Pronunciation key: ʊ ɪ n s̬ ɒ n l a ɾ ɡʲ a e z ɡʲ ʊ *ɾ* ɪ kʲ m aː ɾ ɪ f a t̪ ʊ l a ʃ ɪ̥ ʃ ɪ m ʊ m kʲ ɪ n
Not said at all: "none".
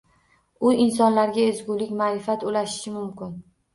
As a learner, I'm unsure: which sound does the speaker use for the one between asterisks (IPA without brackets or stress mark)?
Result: l